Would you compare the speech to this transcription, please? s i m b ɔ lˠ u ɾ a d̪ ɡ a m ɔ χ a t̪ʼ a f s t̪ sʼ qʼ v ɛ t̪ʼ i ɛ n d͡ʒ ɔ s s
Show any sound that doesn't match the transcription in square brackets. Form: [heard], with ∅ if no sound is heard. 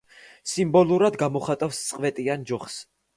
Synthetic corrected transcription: s i m b ɔ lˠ u ɾ a d̪ ɡ a m ɔ χ a t̪ʼ a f s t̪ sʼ qʼ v ɛ t̪ʼ i [a] n d͡ʒ ɔ [χ] s